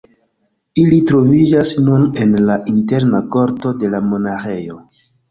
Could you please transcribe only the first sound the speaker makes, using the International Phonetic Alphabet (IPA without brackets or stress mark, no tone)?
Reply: i